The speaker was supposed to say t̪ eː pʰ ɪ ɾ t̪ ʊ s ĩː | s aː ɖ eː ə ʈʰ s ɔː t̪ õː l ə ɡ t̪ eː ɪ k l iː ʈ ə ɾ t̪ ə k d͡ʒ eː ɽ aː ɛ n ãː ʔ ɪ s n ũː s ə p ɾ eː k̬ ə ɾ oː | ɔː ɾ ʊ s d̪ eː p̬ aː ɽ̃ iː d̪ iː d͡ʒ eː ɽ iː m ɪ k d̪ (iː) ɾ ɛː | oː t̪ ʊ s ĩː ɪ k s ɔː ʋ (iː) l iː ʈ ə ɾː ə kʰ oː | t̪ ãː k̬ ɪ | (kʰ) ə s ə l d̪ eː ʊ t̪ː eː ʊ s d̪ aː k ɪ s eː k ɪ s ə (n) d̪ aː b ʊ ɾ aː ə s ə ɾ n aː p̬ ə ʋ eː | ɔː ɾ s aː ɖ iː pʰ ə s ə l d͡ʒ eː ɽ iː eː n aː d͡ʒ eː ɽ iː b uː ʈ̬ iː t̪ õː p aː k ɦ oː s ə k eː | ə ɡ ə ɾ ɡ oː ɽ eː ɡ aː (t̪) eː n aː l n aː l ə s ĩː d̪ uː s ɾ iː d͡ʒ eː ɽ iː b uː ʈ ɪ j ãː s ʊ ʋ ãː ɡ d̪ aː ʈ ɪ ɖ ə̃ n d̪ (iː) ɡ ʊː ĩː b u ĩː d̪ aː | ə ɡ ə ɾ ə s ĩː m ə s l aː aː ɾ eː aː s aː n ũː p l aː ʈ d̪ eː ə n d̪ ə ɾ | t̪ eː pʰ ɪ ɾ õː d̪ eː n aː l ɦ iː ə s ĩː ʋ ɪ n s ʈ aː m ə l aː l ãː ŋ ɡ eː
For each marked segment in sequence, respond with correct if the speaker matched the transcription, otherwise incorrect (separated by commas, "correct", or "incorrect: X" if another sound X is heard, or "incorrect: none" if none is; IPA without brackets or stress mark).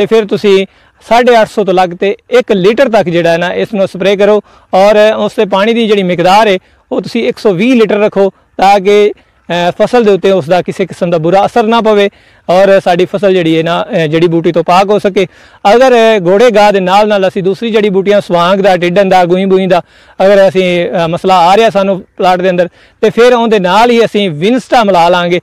incorrect: aː, correct, incorrect: pʰ, incorrect: m, incorrect: d̪, incorrect: aː